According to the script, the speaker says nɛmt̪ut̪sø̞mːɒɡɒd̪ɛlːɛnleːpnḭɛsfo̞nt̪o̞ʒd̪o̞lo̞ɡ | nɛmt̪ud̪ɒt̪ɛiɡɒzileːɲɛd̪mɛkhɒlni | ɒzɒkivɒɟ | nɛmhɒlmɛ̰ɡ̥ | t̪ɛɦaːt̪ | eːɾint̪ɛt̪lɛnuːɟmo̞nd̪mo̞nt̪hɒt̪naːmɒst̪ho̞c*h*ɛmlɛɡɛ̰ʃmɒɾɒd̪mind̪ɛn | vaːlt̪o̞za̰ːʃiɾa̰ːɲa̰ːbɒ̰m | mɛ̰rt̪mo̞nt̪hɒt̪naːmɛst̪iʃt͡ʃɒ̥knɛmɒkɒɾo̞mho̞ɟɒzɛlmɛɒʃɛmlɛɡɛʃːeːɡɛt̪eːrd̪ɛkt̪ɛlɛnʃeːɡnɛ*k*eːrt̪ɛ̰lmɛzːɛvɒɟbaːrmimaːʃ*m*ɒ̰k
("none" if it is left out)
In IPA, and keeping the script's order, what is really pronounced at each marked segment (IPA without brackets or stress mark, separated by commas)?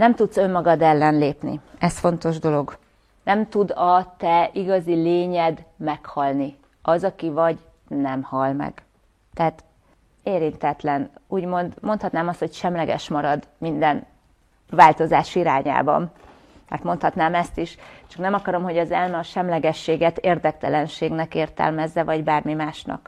ʃ, k, n